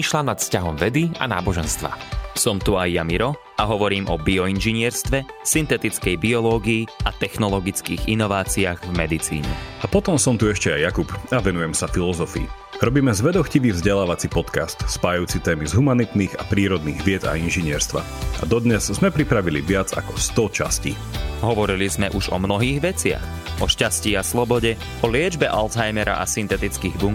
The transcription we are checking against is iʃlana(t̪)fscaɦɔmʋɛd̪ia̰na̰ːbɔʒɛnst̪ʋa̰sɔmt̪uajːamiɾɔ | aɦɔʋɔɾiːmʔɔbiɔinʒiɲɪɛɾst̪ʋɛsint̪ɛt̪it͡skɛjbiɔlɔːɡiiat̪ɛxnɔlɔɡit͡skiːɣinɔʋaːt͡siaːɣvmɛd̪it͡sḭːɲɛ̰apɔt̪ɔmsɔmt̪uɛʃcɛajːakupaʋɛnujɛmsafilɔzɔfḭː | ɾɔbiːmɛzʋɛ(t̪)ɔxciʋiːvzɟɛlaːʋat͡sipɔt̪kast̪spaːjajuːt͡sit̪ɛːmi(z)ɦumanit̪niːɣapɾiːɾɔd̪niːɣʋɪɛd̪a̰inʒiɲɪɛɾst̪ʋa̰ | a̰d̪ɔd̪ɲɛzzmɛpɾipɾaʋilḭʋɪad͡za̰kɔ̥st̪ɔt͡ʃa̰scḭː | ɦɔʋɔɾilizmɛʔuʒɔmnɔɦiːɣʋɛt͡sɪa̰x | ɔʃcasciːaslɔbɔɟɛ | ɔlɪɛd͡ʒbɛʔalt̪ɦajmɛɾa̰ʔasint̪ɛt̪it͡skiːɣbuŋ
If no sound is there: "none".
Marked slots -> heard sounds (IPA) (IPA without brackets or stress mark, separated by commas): t̪, d̪, z